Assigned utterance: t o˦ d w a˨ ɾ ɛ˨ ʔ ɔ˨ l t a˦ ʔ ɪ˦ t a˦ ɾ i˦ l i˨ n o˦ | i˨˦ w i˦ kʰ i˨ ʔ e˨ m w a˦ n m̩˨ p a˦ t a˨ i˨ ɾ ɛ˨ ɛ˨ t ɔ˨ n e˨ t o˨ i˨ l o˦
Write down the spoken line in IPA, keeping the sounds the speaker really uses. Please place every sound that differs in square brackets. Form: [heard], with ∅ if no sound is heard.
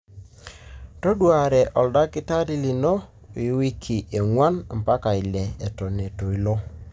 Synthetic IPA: t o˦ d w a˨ ɾ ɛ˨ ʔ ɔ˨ l [d] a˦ [k] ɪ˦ t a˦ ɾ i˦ l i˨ n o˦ | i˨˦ w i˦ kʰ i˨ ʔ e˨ [ŋ] w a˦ n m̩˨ p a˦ [k] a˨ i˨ [l] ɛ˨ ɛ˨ t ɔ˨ n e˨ t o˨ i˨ l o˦